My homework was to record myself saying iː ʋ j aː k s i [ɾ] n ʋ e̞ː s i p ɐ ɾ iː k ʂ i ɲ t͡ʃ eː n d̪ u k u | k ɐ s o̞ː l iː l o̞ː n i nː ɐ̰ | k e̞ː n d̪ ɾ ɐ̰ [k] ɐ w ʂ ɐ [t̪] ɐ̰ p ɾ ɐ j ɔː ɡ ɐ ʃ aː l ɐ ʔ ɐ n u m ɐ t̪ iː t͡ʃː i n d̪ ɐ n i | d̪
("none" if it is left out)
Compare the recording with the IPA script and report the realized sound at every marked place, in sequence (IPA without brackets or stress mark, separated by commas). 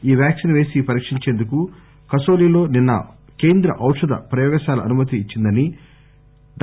none, ʔ, d̪